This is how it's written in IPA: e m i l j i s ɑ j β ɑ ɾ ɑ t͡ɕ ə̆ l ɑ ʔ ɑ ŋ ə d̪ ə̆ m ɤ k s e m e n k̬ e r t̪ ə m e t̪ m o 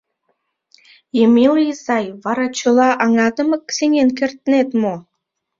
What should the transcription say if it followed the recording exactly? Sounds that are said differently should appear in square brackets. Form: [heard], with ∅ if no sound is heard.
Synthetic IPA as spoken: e m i l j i s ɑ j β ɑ ɾ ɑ t͡ɕ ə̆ l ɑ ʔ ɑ ŋ [ɑ] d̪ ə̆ m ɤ k s e [ŋ] e n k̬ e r t̪ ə [n] e t̪ m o